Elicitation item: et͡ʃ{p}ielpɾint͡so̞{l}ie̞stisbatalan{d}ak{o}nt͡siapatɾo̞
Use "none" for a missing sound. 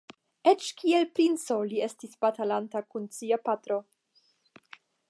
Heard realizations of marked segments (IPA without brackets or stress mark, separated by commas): k, l, t, u